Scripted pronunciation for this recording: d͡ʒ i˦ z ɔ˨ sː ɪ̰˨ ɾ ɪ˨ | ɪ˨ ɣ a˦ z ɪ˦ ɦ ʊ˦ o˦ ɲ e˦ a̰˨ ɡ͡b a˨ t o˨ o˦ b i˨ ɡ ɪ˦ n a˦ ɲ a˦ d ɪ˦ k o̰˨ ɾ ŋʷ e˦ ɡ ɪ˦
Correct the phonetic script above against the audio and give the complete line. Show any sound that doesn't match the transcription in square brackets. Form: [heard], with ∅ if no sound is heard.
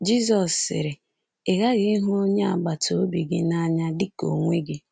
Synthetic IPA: d͡ʒ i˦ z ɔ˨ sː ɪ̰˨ ɾ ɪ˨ | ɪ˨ ɣ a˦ [ɣ] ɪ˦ ɦ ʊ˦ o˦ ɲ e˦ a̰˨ ɡ͡b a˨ t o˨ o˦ b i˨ ɡ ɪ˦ n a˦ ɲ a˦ d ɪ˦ k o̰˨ [∅] ŋʷ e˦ ɡ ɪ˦